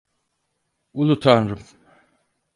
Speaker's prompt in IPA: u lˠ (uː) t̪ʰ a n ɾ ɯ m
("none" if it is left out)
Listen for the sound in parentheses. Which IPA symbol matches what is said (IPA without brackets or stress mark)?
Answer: u